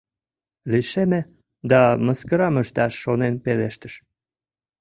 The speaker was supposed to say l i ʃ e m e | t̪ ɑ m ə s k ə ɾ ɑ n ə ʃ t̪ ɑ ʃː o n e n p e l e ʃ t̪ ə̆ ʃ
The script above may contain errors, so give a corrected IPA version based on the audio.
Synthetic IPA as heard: l i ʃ e m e | d̪ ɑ m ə s k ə ɾ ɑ m ə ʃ t̪ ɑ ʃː o n e n p e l e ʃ t̪ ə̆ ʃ